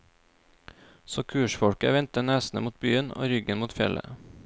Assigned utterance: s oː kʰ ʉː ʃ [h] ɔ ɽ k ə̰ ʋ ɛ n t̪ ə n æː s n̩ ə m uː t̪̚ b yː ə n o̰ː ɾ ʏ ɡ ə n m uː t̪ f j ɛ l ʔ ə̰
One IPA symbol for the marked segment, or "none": f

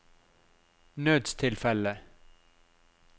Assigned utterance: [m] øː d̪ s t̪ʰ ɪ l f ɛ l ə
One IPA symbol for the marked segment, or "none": n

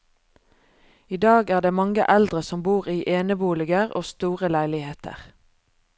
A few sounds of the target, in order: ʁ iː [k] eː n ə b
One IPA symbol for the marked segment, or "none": ʔ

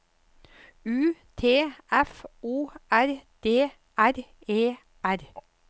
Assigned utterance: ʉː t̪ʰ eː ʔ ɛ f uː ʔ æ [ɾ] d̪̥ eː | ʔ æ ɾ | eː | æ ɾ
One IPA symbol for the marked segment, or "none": ɾ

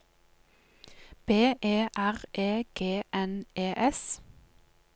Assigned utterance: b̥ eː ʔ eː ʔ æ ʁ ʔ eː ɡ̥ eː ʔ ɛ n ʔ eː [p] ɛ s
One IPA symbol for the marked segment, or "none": ʔ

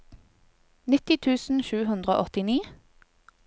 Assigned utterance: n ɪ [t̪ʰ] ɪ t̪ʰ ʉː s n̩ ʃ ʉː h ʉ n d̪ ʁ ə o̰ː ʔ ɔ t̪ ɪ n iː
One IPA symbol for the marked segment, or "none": t̪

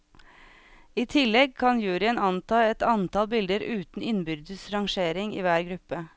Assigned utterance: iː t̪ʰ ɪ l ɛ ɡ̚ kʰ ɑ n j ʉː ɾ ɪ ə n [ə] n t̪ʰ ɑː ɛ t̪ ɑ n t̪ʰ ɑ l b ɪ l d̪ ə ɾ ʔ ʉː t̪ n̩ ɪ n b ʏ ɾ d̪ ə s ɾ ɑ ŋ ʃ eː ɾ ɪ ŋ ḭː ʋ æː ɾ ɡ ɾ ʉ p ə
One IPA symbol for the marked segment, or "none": ɑ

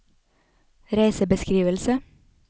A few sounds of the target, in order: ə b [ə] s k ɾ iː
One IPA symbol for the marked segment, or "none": ə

